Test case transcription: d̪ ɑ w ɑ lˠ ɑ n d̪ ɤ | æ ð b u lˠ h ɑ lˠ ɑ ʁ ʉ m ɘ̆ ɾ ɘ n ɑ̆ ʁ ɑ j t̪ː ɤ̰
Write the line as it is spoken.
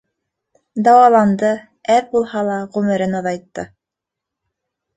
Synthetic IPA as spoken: d̪ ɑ w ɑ lˠ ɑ n d̪ ɤ | æ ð b u lˠ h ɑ lˠ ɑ ʁ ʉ m ɘ̆ ɾ ɘ n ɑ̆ ð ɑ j t̪ː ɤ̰